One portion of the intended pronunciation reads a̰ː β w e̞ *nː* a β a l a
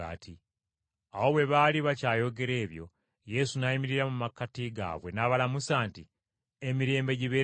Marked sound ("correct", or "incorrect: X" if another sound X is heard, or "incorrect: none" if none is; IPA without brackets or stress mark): incorrect: n